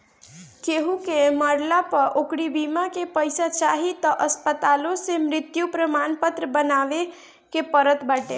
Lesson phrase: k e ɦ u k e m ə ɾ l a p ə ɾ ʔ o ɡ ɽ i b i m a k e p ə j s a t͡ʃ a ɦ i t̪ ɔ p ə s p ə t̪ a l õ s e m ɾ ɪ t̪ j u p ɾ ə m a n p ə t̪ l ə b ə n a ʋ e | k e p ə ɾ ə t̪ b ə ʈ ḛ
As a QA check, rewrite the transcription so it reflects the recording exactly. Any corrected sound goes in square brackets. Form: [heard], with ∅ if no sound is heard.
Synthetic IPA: k e ɦ u k e m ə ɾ l a p ə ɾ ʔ o [k] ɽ i b i m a k e p ə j s a t͡ʃ a ɦ i t̪ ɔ [ʔ] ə s p ə t̪ a l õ s e m ɾ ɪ t̪ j u p ɾ ə m a n p ə t̪ [ɾ] ə b ə n a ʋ e | k e p ə ɾ ə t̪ b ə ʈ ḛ